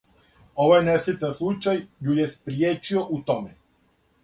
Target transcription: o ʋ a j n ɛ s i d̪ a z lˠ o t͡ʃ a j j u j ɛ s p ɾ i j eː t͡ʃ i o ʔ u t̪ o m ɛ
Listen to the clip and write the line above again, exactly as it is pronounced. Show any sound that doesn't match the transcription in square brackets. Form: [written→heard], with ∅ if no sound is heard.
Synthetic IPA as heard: o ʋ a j n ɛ s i [d̪→t̪] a [z→s] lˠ [o→u] t͡ʃ a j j u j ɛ s p ɾ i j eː t͡ʃ i o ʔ u t̪ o m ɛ